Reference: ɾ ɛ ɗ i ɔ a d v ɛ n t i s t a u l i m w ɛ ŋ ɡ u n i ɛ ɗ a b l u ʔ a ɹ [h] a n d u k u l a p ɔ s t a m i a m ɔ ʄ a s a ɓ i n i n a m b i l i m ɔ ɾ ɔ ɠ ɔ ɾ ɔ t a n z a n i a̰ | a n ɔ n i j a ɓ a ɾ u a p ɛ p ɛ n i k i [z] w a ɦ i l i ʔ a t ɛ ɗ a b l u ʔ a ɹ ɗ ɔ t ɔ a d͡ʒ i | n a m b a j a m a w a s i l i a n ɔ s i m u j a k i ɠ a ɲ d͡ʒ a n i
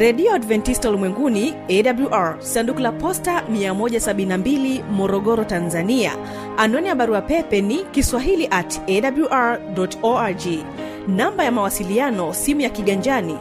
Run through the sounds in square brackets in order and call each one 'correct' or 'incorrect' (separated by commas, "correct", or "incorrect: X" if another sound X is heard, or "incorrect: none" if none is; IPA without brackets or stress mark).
incorrect: s, incorrect: s